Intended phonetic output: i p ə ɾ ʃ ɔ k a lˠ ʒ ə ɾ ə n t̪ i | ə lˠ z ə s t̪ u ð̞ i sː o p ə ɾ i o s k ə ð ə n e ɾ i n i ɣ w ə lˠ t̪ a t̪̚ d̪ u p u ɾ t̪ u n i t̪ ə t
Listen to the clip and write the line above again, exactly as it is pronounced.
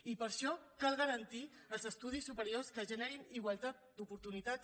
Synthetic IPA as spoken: i p ə ɾ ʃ ɔ k a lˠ ɣ ə ɾ ə n t̪ i | ə lˠ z ə s t̪ u ð̞ i sː u p ə ɾ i o s k ə ʒ ə n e ɾ i n i ɣ w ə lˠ t̪ a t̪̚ d̪ u p u ɾ t̪ u n i t̪ a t